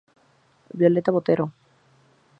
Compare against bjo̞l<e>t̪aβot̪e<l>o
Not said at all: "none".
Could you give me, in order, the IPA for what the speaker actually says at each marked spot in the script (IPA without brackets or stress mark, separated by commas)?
e, ɾ